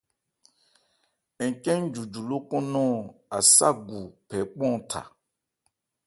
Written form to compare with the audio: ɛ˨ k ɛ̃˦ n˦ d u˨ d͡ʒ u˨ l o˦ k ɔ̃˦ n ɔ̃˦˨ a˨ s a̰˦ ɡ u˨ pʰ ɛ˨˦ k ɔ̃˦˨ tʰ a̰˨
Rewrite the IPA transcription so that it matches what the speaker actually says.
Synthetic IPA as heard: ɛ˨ k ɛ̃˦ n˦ d͡ʒ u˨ d͡ʒ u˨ l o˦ k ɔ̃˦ n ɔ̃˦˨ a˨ s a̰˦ ɡ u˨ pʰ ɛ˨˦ k͡p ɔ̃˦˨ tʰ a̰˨